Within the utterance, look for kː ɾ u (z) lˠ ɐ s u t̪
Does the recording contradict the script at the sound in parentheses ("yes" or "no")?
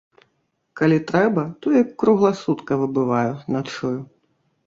yes